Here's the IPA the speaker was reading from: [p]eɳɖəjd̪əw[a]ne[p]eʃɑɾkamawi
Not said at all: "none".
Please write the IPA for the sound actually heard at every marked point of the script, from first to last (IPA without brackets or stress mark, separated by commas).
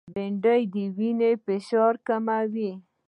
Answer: b, i, p